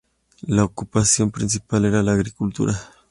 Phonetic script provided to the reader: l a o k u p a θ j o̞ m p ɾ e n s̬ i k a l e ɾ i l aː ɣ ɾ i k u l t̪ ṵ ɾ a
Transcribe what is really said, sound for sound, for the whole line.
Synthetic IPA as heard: l a o k u p a s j o̞ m p ɾ i n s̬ i p a l e ɾ a l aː ɣ ɾ i k u l t̪ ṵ ɾ a